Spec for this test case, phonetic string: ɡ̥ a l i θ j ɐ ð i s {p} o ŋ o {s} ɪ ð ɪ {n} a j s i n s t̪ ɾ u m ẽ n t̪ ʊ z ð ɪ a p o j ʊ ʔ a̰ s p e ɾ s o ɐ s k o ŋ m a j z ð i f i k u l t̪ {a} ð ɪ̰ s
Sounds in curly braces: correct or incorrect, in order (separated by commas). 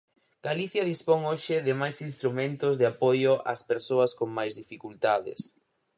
correct, incorrect, incorrect, correct